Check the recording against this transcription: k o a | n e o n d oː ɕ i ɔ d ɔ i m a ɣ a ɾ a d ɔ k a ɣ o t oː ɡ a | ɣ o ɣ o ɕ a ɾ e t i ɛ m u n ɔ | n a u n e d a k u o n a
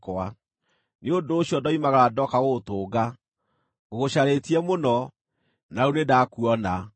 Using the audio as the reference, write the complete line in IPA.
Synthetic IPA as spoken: k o a | n e o n d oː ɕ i ɔ d ɔ i m a ɣ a ɾ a d ɔ k a ɣ o t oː ɡ a | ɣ o ɣ o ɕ a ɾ e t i ɛ m o n ɔ | n a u n e d a k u ɔ n a